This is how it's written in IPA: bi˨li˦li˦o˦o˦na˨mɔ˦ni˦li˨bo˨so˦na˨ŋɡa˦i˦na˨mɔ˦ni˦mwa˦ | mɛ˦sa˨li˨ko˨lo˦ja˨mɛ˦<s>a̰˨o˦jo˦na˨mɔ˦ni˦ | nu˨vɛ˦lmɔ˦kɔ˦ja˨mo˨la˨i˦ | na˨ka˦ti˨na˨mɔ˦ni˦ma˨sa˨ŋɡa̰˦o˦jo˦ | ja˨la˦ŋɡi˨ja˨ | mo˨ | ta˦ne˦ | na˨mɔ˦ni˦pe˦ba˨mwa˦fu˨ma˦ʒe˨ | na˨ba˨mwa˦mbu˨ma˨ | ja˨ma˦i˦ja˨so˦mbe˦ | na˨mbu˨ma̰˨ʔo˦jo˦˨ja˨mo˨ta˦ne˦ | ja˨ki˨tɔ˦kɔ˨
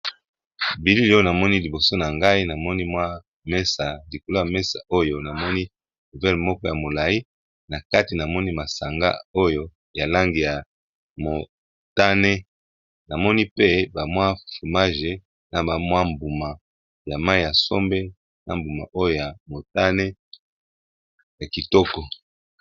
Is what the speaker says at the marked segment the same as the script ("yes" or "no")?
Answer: yes